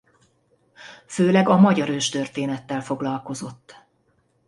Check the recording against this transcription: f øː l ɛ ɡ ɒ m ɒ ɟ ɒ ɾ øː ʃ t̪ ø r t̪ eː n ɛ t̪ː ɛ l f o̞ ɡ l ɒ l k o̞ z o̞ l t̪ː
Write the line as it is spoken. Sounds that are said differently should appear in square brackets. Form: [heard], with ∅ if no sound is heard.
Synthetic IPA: f øː l ɛ ɡ ɒ m ɒ ɟ ɒ ɾ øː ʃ t̪ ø r t̪ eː n ɛ t̪ː ɛ l f o̞ ɡ l ɒ l k o̞ z o̞ [∅] t̪ː